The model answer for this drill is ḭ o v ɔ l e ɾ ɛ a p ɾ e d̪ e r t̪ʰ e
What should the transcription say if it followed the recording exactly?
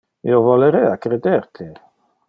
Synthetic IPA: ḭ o v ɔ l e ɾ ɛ a k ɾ e d̪ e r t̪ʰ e